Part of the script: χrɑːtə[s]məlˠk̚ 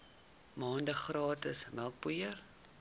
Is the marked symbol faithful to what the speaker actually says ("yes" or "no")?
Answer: yes